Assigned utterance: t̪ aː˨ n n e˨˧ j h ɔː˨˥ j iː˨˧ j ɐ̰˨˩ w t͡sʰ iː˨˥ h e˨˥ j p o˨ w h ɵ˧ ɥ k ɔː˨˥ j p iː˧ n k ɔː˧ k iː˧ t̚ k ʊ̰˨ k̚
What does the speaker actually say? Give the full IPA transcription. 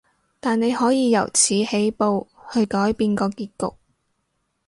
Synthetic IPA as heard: t̪ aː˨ n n e˨˧ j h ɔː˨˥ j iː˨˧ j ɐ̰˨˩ w t͡sʰ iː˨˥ h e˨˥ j p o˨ w h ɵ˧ ɥ k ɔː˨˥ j p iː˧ n k ɔː˧ k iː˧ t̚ k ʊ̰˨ k̚

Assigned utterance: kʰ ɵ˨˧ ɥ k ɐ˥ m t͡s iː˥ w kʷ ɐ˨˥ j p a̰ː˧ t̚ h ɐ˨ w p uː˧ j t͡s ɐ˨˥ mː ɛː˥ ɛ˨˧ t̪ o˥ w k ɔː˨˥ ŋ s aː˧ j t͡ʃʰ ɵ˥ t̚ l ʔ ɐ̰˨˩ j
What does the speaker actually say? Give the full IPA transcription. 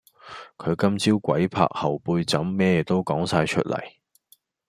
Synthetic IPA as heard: kʰ ɵ˨˧ ɥ k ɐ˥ m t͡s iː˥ w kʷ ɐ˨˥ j pʰ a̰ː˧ k̚ h ɐ˨ w p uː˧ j t͡s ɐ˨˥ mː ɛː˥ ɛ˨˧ t̪ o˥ w k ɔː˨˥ ŋ s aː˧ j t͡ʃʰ ɵ˥ t̚ l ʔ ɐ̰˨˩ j

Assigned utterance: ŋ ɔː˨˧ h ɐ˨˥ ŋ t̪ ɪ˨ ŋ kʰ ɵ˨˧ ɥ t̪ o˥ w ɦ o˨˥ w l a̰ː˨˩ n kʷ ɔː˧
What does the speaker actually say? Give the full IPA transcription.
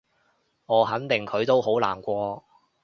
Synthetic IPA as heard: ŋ ɔː˨˧ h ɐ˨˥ n t̪ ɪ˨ ŋ kʰ ɵ˨˧ ɥ t̪ o˥ w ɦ o˨˥ w l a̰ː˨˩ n kʷ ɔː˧

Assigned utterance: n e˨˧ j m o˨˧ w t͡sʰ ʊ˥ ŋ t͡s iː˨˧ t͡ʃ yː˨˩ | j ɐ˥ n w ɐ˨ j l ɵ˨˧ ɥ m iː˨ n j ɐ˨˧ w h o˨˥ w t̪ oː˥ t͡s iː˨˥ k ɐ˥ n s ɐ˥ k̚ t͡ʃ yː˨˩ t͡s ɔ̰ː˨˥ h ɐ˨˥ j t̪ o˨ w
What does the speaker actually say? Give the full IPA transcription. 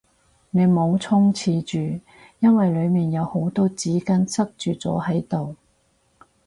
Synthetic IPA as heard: n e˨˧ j m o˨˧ w t͡sʰ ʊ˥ ŋ t͡sʰ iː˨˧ t͡ʃ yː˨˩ | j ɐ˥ n w ɐ˨ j l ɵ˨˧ ɥ m iː˨ n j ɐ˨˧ w h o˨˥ w t̪ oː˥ t͡s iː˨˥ k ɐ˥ n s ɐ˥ k̚ t͡ʃ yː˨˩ t͡s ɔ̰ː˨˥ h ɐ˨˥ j t̪ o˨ w

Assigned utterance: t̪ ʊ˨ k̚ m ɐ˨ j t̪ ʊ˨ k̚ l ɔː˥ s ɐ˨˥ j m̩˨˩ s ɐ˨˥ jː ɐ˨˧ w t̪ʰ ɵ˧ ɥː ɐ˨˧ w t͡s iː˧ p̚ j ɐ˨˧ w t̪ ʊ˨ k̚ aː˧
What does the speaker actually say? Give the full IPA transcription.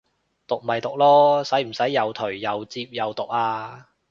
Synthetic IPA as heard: t̪ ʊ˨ k̚ m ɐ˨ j t̪ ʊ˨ k̚ l ɔː˥ s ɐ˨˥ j m̩˨˩ s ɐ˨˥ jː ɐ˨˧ w t̪ʰ ɵ˨˩ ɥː ɐ˨˧ w t͡s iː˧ p̚ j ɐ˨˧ w t̪ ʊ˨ k̚ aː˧

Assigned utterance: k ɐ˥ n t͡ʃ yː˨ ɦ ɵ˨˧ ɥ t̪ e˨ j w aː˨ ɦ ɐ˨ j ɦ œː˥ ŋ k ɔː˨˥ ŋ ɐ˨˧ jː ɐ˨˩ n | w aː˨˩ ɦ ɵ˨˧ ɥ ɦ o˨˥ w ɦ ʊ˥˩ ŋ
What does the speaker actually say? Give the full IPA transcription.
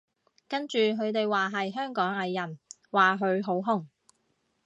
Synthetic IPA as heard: k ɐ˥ n t͡ʃ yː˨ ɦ ɵ˨˧ ɥ t̪ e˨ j w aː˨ ɦ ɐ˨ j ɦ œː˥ ŋ k ɔː˨˥ ŋ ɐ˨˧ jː ɐ˨˩ n | w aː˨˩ ɦ ɵ˨˧ ɥ ɦ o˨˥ w ɦ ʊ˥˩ ŋ

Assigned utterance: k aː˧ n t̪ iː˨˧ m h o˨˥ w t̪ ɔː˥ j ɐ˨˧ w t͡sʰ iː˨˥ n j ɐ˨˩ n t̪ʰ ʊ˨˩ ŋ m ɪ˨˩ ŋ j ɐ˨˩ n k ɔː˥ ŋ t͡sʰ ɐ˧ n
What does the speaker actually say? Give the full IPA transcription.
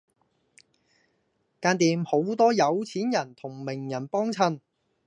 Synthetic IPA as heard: k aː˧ n t̪ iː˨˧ m h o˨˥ w t̪ ɔː˥ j ɐ˨˧ w t͡sʰ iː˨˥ n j ɐ˨˩ n t̪ʰ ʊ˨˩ ŋ m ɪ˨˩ ŋ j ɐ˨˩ n p ɔː˥ ŋ t͡sʰ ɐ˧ n

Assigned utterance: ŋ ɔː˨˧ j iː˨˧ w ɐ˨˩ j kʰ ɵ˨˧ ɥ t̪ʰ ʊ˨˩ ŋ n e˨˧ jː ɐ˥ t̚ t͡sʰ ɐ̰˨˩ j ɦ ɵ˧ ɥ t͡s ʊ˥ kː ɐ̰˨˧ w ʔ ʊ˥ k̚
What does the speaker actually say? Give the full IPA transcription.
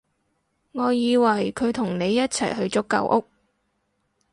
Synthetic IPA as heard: ŋ ɔː˨˧ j iː˨˧ w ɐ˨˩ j kʰ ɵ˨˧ ɥ t̪ʰ ʊ˨˩ ŋ n e˨˧ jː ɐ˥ t̚ t͡sʰ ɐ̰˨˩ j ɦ ɵ˧ ɥ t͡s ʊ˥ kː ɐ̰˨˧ w ʔ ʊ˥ k̚

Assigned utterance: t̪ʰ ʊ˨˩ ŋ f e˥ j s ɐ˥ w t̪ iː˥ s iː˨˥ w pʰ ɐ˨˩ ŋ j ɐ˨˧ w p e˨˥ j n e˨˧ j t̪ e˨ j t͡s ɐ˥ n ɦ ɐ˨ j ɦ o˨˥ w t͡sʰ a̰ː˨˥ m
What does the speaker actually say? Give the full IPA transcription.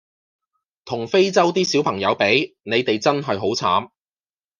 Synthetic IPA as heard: t̪ʰ ʊ˨˩ ŋ f e˥ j t͡s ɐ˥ w t̪ iː˥ s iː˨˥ w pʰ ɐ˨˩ ŋ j ɐ˨˧ w p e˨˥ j n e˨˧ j t̪ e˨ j t͡s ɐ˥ n ɦ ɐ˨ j ɦ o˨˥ w t͡sʰ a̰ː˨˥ m

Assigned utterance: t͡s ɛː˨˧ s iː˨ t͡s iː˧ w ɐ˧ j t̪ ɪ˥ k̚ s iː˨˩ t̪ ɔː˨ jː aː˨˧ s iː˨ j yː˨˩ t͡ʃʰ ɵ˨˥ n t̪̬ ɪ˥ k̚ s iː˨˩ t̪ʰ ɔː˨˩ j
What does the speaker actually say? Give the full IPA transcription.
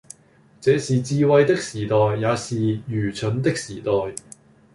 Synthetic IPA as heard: t͡s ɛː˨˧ s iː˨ t͡s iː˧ w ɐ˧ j t̪ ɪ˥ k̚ s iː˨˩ t̪ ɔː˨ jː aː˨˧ s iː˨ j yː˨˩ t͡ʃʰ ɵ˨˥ n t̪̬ ɪ˥ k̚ s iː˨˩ t̪ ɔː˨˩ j

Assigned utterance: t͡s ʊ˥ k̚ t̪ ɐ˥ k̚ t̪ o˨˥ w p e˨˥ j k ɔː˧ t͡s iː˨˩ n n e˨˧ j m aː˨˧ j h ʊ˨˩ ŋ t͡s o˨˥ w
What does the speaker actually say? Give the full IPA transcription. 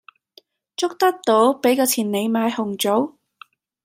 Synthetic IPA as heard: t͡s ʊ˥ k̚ t̪ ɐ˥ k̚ t̪ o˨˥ w p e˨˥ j k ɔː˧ t͡sʰ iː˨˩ n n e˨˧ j m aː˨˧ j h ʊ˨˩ ŋ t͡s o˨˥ w

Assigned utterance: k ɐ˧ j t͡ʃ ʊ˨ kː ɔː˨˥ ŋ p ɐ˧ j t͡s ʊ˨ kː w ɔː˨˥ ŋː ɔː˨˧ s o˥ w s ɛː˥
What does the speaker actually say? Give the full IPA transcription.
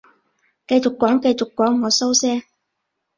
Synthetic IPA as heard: k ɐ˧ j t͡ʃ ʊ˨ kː ɔː˨˥ ŋ k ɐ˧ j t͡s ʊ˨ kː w ɔː˨˥ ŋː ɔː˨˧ s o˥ w s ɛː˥

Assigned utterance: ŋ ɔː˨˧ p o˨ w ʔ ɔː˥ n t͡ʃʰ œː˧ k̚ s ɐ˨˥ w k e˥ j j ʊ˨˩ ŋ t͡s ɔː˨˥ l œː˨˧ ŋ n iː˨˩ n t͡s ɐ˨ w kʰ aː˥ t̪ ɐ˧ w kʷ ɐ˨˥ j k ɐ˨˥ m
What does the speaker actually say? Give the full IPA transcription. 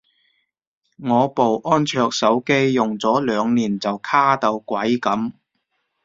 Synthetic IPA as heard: ŋ ɔː˨˧ p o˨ w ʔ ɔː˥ n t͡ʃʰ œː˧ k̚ s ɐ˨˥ w k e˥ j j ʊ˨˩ ŋ t͡s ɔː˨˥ l œː˨˧ ŋ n iː˨˩ n t͡s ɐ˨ w kʰ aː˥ t̪ ɐ˧ w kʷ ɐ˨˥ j k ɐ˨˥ m

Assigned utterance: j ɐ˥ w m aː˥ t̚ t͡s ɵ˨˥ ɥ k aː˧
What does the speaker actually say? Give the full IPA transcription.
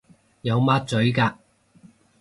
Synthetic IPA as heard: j ɐ˨˧ w m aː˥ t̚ t͡s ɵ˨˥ ɥ k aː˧

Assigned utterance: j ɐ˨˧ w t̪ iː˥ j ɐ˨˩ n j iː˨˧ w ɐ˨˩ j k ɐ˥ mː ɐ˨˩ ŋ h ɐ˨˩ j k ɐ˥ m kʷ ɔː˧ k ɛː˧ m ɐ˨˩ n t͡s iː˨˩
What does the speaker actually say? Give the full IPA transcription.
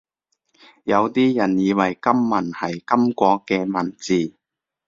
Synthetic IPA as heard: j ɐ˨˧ w t̪ iː˥ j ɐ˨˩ n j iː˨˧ w ɐ˨˩ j k ɐ˥ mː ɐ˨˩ n h ɐ˨˩ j k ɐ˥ m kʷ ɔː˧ k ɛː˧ m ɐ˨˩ n t͡s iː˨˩

